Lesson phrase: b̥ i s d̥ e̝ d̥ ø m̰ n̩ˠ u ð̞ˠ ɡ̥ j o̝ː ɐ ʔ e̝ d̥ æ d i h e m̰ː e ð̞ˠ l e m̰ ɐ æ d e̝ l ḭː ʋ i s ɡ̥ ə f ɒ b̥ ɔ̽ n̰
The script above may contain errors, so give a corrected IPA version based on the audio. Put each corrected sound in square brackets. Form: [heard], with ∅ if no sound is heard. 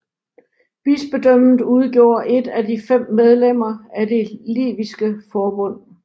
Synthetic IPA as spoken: b̥ i s [b̥] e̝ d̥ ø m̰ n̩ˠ u ð̞ˠ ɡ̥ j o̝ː ɐ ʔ e̝ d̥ æ d i [f] e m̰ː e ð̞ˠ l e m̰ ɐ æ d e̝ l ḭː ʋ i s ɡ̥ ə f [ɒː] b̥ ɔ̽ n̰